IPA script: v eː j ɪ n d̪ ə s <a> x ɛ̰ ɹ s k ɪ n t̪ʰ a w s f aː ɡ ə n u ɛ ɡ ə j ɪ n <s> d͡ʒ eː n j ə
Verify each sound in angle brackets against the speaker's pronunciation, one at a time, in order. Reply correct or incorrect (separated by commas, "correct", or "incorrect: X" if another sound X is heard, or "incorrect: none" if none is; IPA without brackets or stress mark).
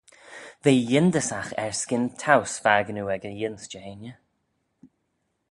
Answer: correct, correct